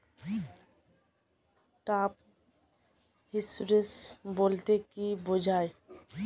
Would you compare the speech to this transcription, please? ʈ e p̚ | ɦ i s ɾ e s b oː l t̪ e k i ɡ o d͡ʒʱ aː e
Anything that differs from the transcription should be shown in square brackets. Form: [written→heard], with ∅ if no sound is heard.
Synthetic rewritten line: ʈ [e→a] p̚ | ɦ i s ɾ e s b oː l t̪ e k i [ɡ→b] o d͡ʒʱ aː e

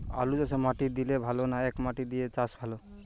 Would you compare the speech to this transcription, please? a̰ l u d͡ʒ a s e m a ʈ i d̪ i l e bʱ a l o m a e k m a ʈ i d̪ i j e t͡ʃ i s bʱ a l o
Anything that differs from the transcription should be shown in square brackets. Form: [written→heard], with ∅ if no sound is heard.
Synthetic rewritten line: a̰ l u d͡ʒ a s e m a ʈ i d̪ i l e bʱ a l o [m→n] a e k m a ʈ i d̪ i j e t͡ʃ [i→a] s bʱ a l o

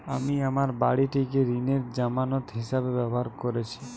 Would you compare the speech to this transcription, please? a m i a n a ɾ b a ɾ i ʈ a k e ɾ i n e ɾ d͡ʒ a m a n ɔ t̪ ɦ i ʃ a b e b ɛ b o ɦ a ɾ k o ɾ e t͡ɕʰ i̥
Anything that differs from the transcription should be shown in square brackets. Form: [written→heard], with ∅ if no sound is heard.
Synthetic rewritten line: a m i a [n→m] a ɾ b a [ɾ→ɽ] i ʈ [a→i] k e ɾ i n e ɾ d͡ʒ a m a n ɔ t̪ ɦ i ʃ a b e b ɛ b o ɦ a ɾ k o ɾ e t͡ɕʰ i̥

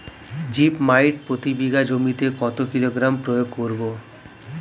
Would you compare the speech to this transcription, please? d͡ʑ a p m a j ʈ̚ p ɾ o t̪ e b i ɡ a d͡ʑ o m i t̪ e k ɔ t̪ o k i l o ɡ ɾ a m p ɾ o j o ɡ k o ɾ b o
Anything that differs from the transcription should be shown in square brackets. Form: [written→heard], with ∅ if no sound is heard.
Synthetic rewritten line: d͡ʑ [a→i] p m a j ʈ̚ p ɾ o t̪ [e→i] b i ɡ a d͡ʑ o m i t̪ e k ɔ t̪ o k i l o ɡ ɾ a m p ɾ o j o ɡ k o ɾ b o

